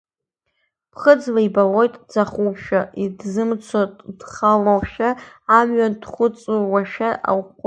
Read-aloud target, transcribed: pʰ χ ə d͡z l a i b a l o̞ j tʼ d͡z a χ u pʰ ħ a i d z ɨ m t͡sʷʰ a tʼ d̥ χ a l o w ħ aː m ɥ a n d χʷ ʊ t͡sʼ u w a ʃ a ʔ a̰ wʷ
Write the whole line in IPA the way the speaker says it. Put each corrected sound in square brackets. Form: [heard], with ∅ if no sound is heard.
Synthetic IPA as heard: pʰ χ ə d͡z l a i b a l o̞ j tʼ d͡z a χ u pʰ [ʃ] a i d z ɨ m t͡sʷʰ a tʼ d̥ χ a l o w [ʃ] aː m ɥ a n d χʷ ʊ t͡sʼ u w a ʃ a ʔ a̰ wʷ